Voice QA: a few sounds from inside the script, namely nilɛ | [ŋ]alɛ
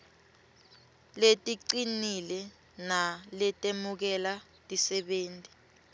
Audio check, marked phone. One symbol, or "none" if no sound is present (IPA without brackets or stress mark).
n